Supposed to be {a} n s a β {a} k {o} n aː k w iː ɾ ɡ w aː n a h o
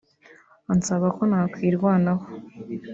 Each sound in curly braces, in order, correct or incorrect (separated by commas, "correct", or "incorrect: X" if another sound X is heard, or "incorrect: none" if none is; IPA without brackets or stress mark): correct, correct, correct